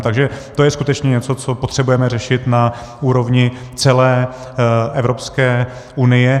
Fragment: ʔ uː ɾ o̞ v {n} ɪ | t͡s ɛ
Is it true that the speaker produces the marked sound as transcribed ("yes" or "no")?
no